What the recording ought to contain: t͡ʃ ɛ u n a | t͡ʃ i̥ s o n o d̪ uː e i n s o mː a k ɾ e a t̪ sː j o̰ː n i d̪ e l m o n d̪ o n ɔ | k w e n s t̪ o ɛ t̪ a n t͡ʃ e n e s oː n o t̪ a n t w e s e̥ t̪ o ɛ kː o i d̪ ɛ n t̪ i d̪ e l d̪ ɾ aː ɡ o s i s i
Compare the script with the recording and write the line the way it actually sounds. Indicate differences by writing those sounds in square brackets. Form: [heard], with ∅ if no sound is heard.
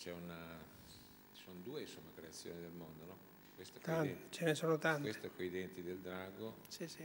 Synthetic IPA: t͡ʃ ɛ u n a | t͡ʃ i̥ s o n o d̪ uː e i n s o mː a k ɾ e a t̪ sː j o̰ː n i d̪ e l m o n d̪ o n ɔ | k w e [∅] s t̪ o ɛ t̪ a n t͡ʃ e n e s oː n o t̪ a n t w e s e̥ t̪ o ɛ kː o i d̪ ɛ n t̪ i d̪ e l d̪ ɾ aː ɡ o s i s i